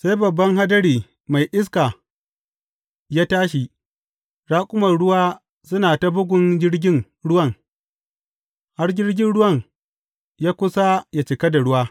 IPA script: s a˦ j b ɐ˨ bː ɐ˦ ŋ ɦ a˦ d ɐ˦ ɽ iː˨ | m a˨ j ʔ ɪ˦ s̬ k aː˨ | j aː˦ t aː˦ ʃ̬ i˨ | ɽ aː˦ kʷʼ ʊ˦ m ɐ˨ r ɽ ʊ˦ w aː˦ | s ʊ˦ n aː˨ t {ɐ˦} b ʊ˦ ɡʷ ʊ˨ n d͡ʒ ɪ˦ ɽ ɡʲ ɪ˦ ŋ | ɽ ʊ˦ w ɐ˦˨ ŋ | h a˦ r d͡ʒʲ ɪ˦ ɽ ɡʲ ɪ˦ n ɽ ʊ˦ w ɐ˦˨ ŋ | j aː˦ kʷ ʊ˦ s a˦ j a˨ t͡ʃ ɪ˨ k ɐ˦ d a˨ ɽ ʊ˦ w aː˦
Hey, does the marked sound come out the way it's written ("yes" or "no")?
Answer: no